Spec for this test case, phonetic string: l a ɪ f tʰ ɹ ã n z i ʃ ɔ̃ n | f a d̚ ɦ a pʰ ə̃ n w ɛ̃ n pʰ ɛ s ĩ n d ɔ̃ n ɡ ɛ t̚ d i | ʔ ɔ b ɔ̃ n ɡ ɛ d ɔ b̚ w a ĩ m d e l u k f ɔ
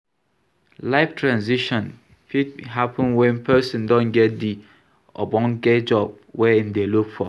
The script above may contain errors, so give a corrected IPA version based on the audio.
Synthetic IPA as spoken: l a ɪ f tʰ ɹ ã n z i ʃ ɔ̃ n | f i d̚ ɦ a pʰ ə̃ n w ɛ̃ n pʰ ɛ s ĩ n d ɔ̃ n ɡ ɛ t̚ d i | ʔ ɔ b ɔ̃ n ɡ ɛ d͡ʒ ɔ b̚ w ɛ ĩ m d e l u k f ɔ